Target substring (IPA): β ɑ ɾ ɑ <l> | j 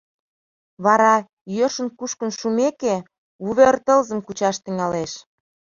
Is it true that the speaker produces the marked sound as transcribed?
no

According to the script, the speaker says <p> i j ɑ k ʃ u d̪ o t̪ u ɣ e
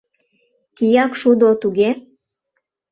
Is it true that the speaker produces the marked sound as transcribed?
no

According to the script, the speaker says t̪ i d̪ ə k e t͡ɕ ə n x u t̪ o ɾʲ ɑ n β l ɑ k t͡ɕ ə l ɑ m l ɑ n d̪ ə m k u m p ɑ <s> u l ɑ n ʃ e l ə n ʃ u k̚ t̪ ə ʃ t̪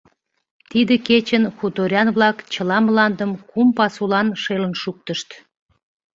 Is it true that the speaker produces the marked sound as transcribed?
yes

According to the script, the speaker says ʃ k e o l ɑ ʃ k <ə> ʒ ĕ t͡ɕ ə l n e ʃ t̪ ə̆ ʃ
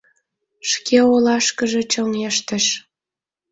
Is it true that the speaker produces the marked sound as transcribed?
yes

